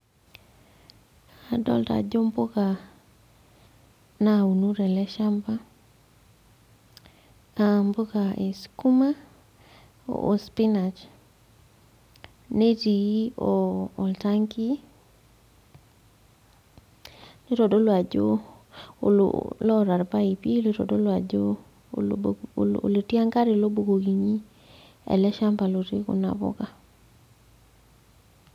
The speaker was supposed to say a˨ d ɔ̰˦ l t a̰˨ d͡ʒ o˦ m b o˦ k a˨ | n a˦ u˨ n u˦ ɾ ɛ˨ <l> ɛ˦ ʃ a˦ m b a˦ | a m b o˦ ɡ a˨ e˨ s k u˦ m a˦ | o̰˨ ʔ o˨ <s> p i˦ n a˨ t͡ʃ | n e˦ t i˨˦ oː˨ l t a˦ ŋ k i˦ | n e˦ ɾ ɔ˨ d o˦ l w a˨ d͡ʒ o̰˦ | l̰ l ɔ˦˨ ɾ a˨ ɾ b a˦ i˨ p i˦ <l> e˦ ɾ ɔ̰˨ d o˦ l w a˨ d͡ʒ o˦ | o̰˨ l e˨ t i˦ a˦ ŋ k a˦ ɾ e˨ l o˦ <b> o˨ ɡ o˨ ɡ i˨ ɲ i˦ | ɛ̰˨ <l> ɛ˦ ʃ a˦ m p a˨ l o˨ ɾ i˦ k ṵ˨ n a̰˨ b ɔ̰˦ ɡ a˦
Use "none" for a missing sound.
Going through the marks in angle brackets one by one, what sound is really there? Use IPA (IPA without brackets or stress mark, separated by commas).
l, s, l, b, l